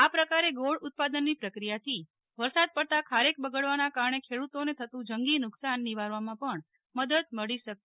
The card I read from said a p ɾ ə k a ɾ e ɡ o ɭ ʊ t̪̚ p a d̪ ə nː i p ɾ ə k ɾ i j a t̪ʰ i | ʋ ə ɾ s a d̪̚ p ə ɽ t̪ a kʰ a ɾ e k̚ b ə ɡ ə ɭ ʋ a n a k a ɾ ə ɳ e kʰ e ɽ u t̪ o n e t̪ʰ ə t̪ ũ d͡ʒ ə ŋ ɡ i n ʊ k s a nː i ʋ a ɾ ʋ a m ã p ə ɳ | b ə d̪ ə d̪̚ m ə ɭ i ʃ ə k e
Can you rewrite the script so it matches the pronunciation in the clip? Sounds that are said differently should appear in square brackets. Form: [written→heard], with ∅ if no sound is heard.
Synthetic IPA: a p ɾ ə k a ɾ e ɡ o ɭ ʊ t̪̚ p a d̪ ə nː i p ɾ ə k ɾ i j a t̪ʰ i | ʋ ə ɾ s a d̪̚ p ə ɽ t̪ a kʰ a ɾ e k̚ b ə ɡ ə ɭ ʋ a n a k a ɾ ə ɳ e kʰ e ɽ u t̪ o n e t̪ʰ ə t̪ ũ d͡ʒ ə ŋ ɡ i n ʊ k s a nː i ʋ a ɾ ʋ a m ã p ə ɳ | [b→m] ə d̪ ə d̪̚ m ə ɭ i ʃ ə k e